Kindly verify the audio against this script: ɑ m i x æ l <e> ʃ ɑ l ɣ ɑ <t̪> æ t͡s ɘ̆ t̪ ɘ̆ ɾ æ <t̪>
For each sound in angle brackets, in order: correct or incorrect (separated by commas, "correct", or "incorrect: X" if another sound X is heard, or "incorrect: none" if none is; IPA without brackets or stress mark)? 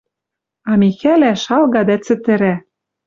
incorrect: æ, incorrect: d̪, incorrect: none